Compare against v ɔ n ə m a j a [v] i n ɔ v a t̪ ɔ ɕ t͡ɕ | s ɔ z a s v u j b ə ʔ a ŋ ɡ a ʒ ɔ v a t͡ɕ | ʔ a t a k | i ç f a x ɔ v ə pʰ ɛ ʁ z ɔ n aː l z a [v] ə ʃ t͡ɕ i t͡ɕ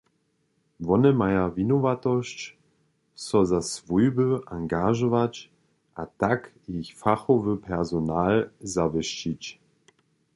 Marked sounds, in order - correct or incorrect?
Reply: correct, correct

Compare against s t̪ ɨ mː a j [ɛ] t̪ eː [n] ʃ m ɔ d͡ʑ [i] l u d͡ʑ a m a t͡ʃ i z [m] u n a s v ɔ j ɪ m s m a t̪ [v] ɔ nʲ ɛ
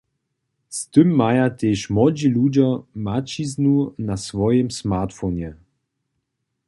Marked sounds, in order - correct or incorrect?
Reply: incorrect: a, incorrect: none, correct, incorrect: n, incorrect: f

